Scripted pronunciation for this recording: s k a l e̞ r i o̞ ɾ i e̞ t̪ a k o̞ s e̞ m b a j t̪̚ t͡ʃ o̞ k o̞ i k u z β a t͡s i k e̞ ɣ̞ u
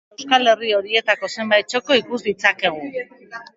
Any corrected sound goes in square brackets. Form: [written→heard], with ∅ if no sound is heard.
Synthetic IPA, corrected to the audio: s k a l e̞ r i o̞ ɾ i e̞ t̪ a k o̞ s e̞ m b a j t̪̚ t͡ʃ o̞ k o̞ i k u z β [a→i] t͡s [i→a] k e̞ ɣ̞ u